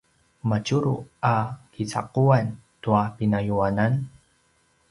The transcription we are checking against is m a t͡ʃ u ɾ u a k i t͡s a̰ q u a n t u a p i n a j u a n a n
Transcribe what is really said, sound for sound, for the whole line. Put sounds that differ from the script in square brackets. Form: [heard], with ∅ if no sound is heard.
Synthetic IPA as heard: m a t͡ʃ u ɾ u a k i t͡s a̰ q u a n t u a p i n a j u a n a n